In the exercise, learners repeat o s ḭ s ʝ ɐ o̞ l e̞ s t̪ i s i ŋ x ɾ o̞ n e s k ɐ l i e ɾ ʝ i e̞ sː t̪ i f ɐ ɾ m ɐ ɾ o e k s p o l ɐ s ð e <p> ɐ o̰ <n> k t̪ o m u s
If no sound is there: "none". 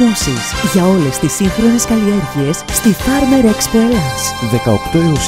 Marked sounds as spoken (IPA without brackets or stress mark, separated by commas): k, none